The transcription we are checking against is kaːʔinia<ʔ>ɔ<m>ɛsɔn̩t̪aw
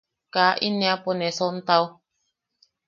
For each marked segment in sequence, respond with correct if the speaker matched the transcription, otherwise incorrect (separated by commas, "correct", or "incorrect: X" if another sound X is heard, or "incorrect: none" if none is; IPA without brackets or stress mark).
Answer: incorrect: p, incorrect: n